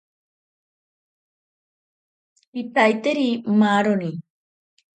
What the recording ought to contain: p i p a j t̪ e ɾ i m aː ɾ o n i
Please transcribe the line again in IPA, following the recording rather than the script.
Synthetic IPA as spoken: p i p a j t̪ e ɾ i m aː ɾ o n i

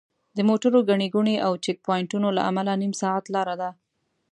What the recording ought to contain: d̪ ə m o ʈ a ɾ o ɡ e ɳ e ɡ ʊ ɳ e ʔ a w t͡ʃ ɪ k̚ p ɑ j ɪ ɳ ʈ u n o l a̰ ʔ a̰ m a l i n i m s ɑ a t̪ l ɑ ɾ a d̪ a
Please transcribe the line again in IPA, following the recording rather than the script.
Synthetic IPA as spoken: d̪ ə m o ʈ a ɾ o ɡ a ɳ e ɡ u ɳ e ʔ a w t͡ʃ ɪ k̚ p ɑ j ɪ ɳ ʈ u n o l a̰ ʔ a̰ m a l a n i m s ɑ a t̪ l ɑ ɾ a d̪ a

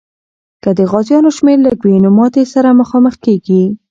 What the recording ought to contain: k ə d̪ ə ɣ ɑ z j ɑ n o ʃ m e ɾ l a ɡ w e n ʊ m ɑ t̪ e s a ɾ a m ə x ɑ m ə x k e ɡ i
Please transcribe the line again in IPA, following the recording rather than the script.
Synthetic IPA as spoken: k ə d̪ ə ɣ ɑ z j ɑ n o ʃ m e ɾ l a ɡ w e n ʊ m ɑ t̪ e s a ɾ a m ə x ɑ m ə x k e ɡ i

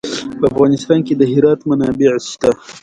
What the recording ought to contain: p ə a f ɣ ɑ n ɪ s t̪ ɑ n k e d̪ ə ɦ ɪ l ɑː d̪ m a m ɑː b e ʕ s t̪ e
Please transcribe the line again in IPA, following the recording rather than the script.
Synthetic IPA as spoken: p ə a f ɣ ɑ n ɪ s t̪ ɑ n k e d̪ ə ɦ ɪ ɾ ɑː t̪ m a n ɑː b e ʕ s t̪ a

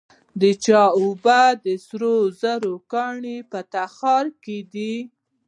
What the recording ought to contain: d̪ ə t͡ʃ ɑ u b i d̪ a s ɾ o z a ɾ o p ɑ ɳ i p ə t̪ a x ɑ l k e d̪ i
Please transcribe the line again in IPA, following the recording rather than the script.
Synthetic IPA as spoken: d̪ ə t͡ʃ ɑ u b a d̪ ə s ɾ o z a ɾ o k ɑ ɳ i p ə t̪ a x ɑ ɾ k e d̪ i

